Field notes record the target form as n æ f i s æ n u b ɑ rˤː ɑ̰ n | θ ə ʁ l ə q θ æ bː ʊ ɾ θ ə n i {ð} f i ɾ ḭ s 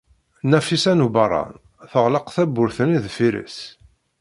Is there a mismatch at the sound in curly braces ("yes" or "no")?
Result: no